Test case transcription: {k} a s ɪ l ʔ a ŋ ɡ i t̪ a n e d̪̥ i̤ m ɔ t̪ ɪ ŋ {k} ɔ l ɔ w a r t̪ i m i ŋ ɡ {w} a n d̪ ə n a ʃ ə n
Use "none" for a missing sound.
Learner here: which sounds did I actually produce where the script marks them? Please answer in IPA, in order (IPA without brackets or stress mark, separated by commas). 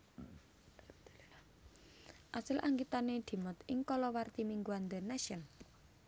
ʔ, k, u